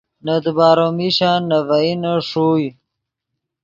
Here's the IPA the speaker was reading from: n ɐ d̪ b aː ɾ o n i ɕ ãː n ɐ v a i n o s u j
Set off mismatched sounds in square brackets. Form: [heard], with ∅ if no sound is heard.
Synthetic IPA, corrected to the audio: n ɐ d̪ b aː ɾ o [m] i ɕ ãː n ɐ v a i n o [ʂ] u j